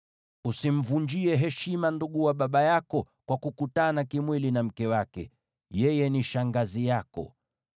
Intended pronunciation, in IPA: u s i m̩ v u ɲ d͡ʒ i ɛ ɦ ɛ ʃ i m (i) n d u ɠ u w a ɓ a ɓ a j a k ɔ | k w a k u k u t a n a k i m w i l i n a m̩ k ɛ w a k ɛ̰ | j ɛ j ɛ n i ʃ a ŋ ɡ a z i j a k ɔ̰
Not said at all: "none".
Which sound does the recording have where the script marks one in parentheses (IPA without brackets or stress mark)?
a